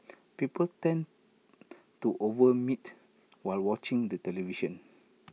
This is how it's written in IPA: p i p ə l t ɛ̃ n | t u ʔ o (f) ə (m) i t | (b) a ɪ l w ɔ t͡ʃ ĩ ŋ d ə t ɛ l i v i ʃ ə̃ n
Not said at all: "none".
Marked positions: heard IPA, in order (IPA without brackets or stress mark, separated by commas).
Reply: v, m, w